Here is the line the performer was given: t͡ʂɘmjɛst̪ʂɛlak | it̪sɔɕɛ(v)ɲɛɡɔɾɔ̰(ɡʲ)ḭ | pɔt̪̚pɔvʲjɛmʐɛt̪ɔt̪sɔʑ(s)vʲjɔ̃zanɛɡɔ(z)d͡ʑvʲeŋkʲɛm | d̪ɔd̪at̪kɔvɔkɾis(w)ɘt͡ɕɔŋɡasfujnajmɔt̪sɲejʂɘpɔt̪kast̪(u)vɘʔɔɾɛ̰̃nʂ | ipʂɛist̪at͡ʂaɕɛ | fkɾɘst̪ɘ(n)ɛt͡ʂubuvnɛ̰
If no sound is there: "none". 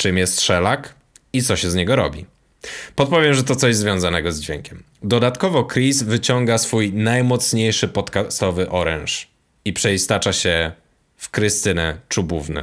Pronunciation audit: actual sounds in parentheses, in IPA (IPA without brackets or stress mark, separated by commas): z, bʲ, z, z, v, ɔ, n